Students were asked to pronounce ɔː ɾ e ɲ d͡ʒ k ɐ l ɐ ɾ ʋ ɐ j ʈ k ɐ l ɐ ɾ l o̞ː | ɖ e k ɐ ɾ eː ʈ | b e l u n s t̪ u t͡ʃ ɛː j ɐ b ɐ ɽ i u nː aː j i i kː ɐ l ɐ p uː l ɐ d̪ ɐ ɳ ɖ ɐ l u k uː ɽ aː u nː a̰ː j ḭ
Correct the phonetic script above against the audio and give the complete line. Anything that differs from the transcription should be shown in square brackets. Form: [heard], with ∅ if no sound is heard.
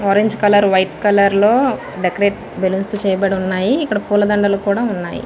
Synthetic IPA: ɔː ɾ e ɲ d͡ʒ k ɐ l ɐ ɾ ʋ ɐ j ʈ k ɐ l ɐ ɾ l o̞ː | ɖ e k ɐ ɾ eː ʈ | b e l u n s t̪ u t͡ʃ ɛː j ɐ b ɐ ɽ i u nː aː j i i kː ɐ [ɽ] ɐ p uː l ɐ d̪ ɐ ɳ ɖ ɐ l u k uː ɽ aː u nː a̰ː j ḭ